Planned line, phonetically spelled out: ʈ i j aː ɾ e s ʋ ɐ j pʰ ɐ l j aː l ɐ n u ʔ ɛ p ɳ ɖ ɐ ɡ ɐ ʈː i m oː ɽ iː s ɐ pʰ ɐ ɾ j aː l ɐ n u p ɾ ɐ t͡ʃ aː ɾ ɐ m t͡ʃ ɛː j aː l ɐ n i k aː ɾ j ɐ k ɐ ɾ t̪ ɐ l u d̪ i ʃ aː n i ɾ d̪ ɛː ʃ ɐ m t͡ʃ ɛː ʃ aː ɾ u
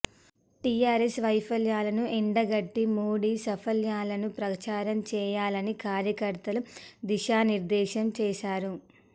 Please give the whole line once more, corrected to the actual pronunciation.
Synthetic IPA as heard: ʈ i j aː ɾ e s ʋ ɐ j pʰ ɐ l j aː l ɐ n u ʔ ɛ ɳ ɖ ɐ ɡ ɐ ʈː i m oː ɽ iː s ɐ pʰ ɐ l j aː l ɐ n u p ɾ ɐ t͡ʃ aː ɾ ɐ m t͡ʃ ɛː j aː l ɐ n i k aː ɾ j ɐ k ɐ ɾ t̪ ɐ l u d̪ i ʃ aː n i ɾ d̪ ɛː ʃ ɐ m t͡ʃ ɛː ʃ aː ɾ u

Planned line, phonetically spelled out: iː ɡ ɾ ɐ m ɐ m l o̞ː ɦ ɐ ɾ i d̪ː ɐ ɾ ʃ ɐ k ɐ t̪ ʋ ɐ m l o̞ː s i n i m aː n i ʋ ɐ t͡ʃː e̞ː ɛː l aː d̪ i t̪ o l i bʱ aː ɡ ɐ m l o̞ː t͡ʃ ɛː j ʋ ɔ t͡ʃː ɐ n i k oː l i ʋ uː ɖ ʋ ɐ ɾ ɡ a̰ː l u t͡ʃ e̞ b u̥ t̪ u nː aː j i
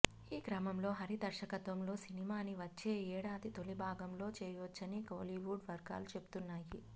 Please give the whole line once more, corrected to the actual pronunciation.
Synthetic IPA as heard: iː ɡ ɾ ɐ m ɐ m l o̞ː ɦ ɐ ɾ i d̪ ɐ ɾ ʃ ɐ k ɐ t̪ ʋ ɐ m l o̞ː s i n i m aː n i ʋ ɐ t͡ʃː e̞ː ɛː ɽ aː d̪ i t̪ o l i bʱ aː ɡ ɐ m l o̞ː t͡ʃ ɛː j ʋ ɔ t͡ʃː ɐ n i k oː l i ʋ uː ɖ ʋ ɐ ɾ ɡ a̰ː l u t͡ʃ e̞ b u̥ t̪ u nː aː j i

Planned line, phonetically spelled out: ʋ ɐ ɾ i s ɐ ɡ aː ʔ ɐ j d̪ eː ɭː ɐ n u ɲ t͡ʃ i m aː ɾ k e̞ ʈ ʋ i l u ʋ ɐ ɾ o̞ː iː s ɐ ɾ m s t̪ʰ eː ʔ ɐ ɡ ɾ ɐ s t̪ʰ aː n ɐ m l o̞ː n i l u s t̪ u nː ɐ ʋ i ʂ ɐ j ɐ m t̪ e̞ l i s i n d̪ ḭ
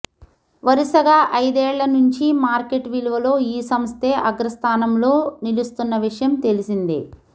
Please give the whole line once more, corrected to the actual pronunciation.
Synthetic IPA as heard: ʋ ɐ ɾ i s ɐ ɡ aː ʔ ɐ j d̪ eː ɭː ɐ n u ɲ t͡ʃ i m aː ɾ k e̞ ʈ ʋ i l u ʋ ɐ l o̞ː iː s ɐ m s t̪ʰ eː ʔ ɐ ɡ ɾ ɐ s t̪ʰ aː n ɐ m l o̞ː n i l u s t̪ u nː ɐ ʋ i ʂ ɐ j ɐ m t̪ e̞ l i s i n d̪ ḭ

